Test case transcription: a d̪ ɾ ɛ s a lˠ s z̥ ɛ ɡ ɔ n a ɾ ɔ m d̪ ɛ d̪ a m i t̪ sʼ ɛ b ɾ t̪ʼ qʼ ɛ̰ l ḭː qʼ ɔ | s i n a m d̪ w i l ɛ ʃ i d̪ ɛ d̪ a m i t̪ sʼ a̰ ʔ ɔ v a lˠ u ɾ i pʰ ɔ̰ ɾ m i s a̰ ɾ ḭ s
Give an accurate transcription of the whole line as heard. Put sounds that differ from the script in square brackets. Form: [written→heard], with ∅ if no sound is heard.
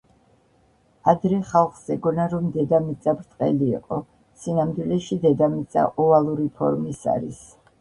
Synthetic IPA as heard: a d̪ ɾ ɛ [s→χ] a lˠ [s→χ] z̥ ɛ ɡ ɔ n a ɾ ɔ m d̪ ɛ d̪ a m i t̪ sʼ [ɛ→a] b ɾ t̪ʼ qʼ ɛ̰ l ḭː qʼ ɔ | s i n a m d̪ w i l ɛ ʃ i d̪ ɛ d̪ a m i t̪ sʼ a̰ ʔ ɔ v a lˠ u ɾ i pʰ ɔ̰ ɾ m i s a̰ ɾ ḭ s